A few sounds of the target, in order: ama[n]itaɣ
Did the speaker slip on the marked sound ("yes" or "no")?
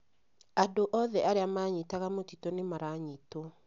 yes